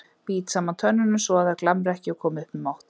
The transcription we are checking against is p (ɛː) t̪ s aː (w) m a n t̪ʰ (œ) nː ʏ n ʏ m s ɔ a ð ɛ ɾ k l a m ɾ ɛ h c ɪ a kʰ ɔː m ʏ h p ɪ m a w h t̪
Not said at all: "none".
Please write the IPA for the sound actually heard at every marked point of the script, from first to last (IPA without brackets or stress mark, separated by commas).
iː, none, œ